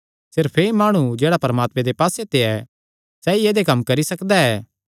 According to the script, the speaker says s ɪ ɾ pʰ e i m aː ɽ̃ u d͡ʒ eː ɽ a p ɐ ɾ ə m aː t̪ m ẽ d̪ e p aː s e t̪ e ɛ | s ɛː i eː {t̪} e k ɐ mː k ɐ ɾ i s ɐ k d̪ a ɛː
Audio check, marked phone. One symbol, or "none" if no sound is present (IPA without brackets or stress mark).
d̪